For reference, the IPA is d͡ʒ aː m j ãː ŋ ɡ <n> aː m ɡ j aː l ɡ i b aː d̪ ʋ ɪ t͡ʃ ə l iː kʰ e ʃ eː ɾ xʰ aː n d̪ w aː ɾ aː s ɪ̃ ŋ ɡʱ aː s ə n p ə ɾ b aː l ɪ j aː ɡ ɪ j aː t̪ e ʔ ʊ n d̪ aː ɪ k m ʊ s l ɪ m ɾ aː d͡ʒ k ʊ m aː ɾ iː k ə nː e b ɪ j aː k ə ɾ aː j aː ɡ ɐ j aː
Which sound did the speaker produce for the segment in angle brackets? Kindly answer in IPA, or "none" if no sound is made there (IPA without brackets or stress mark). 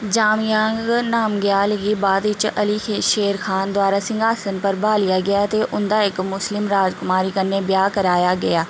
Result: n